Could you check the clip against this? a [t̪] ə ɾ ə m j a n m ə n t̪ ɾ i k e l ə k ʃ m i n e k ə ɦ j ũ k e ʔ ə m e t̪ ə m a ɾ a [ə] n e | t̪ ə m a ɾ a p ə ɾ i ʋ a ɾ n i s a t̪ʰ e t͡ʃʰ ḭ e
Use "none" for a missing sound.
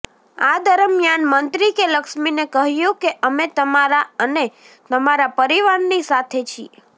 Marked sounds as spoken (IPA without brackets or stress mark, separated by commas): d̪, ə